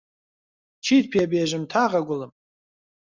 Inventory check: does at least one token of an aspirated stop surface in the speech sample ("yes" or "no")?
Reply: yes